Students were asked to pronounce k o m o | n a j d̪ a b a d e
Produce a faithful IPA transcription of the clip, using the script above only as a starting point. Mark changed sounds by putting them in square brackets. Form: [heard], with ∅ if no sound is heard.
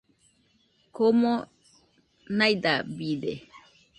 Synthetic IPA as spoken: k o m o | n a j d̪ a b [i] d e